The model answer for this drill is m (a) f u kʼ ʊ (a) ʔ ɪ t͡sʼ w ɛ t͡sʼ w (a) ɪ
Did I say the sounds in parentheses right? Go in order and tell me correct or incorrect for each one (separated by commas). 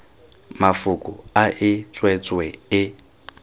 correct, correct, incorrect